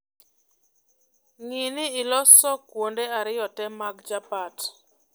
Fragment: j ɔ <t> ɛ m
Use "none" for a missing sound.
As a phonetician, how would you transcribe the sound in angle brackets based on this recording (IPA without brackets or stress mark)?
t